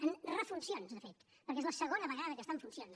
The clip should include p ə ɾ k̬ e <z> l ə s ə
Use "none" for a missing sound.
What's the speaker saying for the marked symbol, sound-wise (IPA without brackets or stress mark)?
z